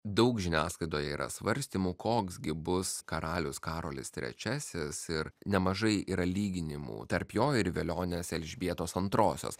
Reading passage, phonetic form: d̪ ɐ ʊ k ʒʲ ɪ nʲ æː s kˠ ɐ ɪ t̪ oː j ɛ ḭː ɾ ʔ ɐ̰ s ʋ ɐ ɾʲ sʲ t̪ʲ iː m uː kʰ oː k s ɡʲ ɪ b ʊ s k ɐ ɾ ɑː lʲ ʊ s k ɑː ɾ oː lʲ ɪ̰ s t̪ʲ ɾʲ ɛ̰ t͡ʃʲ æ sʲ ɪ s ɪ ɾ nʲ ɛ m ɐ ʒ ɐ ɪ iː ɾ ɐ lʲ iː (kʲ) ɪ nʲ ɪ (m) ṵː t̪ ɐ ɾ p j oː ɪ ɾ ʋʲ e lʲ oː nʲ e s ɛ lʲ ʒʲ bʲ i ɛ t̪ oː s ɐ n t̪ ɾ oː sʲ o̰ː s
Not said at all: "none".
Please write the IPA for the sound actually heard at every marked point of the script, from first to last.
ɡʲ, m

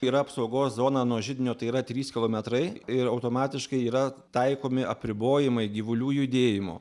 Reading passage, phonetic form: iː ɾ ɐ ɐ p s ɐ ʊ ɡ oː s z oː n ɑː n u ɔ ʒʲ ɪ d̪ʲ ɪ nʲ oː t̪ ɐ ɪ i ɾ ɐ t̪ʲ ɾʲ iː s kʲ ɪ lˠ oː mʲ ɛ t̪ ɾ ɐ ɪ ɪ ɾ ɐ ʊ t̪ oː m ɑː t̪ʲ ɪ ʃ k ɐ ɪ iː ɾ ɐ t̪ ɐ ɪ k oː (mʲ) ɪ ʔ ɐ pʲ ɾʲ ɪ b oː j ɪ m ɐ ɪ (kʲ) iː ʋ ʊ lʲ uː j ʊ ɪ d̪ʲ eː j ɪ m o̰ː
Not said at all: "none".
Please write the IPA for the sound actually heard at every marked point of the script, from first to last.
mʲ, ɡʲ

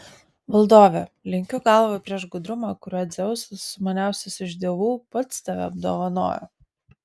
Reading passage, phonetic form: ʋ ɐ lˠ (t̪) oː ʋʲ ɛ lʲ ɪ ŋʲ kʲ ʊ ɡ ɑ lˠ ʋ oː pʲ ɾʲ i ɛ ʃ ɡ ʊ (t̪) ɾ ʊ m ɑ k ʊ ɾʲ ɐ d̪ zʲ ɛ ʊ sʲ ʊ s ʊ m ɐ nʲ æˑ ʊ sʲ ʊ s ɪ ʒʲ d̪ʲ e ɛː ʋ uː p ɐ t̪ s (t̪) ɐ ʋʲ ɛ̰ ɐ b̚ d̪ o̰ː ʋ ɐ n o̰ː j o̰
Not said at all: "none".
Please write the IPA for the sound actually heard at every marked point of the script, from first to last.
d̪, d̪, t̪

